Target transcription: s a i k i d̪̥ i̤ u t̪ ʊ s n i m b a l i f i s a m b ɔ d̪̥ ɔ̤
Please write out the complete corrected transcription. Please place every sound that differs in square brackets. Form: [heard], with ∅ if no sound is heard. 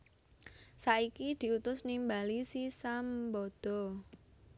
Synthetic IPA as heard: s a i k i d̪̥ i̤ u t̪ ʊ s n i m b a l i [s] i s a m b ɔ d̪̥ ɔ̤